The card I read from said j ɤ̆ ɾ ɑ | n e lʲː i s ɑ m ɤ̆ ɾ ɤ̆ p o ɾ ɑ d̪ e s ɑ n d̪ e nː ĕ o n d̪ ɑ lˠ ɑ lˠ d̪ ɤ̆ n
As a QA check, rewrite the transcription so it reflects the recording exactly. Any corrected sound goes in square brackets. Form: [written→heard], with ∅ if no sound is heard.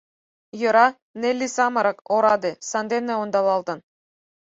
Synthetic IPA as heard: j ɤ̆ ɾ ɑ | n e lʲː i s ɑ m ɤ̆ ɾ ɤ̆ [p→k] o ɾ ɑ d̪ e s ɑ n d̪ e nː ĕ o n d̪ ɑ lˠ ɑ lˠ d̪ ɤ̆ n